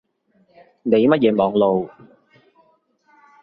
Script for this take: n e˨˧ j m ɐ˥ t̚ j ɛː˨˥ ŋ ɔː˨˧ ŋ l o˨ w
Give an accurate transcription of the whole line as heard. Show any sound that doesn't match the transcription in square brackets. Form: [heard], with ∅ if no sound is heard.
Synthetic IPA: n e˨˧ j m ɐ˥ t̚ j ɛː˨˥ [m] ɔː˨˧ ŋ l o˨ w